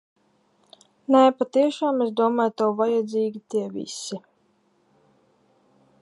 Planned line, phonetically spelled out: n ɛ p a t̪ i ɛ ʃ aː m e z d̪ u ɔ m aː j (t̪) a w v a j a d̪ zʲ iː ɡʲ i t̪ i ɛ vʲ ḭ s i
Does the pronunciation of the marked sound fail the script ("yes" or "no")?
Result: no